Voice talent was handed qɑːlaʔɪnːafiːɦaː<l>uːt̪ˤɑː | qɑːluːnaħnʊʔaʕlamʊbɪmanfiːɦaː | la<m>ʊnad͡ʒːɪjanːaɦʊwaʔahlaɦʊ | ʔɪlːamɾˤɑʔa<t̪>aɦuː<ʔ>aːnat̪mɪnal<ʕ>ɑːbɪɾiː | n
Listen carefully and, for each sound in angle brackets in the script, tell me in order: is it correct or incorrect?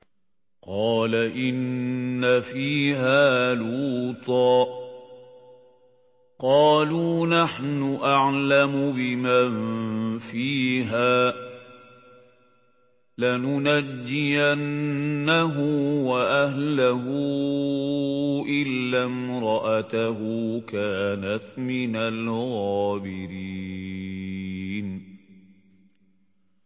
correct, incorrect, correct, incorrect, incorrect

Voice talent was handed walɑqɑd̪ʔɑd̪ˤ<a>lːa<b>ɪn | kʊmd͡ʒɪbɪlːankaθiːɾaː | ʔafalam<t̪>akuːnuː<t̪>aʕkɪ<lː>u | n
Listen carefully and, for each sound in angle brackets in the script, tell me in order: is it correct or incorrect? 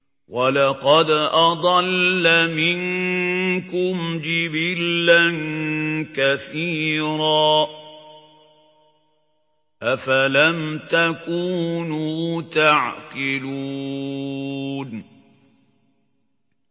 incorrect, incorrect, correct, correct, incorrect

